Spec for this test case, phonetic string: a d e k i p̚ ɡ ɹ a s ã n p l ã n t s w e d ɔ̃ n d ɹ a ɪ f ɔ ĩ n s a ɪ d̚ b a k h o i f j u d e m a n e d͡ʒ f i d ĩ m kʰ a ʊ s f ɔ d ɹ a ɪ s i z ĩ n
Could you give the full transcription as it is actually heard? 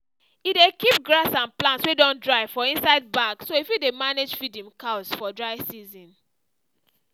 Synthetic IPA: i d e k i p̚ ɡ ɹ a s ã n p l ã n t s w e d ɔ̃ n d ɹ a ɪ f ɔ ĩ n s a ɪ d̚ b a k s o i f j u d e m a n e d͡ʒ f i d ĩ m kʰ a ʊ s f ɔ d ɹ a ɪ s i z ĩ n